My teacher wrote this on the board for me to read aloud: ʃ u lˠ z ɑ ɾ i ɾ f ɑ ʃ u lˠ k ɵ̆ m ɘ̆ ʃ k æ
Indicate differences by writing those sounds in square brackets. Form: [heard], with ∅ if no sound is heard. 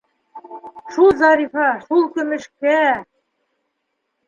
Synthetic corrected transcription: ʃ u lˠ z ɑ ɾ i [∅] f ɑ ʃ u lˠ k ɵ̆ m ɘ̆ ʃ k æ